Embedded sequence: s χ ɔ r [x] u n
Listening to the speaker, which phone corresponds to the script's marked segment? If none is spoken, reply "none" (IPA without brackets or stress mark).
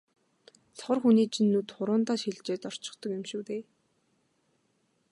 x